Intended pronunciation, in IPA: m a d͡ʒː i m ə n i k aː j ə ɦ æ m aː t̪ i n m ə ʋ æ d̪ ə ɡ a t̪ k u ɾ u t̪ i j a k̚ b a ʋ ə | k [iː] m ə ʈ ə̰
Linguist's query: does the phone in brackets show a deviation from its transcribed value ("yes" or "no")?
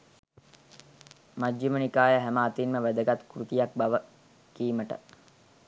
no